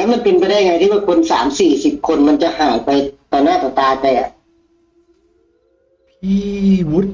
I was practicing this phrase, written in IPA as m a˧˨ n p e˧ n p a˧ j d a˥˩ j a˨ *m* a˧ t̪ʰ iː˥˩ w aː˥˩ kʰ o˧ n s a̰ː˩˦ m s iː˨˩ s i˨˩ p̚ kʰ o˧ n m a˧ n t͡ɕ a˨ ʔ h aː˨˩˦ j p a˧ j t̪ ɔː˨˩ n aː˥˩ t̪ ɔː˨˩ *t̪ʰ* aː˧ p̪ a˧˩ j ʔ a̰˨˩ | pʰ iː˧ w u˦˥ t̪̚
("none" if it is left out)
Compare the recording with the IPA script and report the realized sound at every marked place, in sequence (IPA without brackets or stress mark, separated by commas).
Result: ŋ, t̪